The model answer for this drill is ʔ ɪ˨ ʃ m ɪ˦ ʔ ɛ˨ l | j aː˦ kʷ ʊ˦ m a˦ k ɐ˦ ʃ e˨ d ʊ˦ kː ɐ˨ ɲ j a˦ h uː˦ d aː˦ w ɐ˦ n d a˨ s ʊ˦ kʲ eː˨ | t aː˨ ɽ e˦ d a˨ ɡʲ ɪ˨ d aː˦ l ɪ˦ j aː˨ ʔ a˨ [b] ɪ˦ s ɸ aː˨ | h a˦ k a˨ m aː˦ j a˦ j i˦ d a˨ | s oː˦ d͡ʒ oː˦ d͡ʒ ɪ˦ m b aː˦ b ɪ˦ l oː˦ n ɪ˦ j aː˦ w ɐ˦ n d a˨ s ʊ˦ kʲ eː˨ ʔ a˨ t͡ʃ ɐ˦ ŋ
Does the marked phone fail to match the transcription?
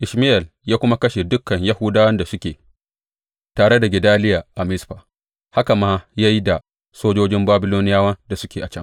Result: yes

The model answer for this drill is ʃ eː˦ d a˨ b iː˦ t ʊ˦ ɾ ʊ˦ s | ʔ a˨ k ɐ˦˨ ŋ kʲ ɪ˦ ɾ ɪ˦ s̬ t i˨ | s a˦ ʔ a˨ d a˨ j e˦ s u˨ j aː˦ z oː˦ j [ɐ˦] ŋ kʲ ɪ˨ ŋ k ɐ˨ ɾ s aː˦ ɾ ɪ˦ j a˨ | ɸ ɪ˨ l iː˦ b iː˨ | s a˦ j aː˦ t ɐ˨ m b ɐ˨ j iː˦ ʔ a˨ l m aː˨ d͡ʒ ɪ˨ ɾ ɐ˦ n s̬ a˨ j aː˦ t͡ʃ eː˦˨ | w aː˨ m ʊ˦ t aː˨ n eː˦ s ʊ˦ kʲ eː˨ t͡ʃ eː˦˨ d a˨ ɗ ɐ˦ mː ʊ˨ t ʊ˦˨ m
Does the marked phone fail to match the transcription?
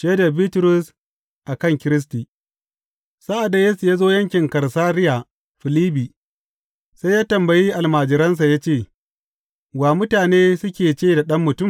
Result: no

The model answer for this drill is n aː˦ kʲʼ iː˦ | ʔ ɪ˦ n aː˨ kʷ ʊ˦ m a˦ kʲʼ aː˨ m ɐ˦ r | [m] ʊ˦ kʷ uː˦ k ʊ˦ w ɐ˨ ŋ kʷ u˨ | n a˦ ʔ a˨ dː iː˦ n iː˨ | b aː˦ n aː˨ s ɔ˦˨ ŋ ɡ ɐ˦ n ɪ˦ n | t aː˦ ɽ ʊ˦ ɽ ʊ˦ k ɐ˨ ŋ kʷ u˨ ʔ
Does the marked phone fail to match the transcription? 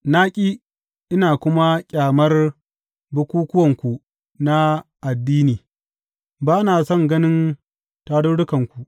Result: yes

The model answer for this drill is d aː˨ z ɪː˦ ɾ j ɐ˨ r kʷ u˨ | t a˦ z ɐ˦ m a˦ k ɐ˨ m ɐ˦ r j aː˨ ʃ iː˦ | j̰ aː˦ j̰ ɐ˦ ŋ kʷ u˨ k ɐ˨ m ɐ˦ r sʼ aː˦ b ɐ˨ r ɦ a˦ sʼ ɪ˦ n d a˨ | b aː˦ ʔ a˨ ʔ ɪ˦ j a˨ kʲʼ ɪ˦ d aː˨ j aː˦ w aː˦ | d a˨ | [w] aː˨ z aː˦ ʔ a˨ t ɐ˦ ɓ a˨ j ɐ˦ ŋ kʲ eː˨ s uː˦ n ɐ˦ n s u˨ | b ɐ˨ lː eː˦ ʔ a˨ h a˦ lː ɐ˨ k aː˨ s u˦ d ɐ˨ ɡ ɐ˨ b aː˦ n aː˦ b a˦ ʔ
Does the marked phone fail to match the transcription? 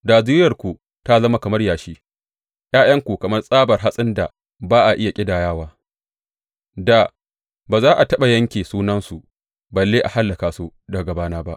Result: yes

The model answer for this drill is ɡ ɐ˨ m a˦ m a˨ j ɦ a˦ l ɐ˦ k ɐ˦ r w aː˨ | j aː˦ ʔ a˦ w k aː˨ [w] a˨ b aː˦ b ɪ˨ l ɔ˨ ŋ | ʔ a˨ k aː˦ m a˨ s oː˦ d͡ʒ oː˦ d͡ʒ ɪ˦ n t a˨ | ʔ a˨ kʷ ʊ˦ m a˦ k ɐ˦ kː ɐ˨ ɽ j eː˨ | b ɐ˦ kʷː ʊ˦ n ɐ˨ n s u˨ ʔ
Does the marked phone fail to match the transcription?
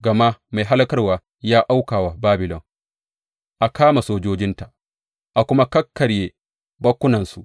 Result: no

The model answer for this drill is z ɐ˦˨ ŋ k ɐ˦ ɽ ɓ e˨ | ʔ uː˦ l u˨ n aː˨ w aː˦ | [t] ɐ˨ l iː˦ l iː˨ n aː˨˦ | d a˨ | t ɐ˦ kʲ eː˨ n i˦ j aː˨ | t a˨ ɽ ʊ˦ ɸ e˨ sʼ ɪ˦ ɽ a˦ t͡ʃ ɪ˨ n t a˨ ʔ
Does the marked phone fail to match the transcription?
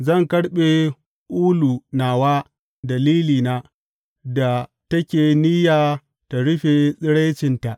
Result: yes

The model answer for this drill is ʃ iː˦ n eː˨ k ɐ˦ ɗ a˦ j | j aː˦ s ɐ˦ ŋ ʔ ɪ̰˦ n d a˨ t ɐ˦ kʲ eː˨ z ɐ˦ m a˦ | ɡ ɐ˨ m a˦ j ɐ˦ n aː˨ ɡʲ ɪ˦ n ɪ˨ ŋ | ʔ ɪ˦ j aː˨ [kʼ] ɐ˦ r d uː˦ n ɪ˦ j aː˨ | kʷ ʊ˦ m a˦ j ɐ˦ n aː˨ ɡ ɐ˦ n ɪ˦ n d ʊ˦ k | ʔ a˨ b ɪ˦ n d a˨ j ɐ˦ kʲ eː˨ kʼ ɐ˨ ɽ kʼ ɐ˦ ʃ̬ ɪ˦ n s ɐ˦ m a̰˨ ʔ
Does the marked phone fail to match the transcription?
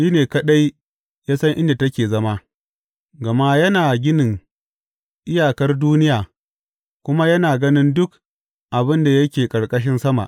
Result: yes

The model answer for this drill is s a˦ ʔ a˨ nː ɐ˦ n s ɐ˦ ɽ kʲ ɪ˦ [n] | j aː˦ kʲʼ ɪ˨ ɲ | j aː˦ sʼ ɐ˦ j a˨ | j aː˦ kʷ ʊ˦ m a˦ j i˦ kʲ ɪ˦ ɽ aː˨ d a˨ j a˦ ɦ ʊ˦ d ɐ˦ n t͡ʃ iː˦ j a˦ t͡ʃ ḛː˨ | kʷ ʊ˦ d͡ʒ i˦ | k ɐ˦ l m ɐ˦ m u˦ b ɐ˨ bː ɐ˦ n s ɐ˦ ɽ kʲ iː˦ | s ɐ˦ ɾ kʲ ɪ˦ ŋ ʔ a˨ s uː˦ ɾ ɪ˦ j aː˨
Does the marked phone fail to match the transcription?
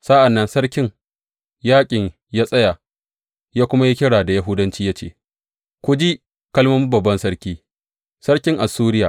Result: yes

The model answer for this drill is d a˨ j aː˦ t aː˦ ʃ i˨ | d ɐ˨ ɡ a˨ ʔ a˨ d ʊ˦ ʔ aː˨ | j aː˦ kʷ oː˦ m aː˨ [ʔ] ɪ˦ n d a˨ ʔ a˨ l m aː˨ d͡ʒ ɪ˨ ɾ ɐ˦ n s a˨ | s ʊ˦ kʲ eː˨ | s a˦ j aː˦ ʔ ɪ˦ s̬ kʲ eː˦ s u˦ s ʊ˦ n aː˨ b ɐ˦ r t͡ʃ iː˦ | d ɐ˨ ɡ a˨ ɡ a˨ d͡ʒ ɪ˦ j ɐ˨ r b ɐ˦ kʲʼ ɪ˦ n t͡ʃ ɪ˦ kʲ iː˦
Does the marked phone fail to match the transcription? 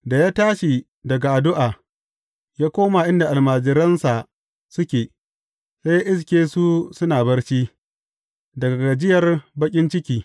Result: no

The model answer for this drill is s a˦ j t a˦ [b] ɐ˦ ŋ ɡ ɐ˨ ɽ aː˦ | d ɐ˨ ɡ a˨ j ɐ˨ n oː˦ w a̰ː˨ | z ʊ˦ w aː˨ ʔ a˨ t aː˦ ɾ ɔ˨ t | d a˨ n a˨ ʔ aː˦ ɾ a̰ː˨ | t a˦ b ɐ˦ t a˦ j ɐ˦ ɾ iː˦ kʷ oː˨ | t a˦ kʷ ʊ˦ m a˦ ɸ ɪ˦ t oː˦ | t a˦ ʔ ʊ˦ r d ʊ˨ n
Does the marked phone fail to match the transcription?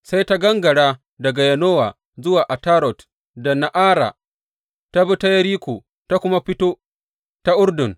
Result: yes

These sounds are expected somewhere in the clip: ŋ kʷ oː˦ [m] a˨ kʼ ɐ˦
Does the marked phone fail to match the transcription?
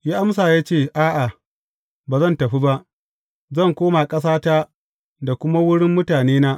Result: no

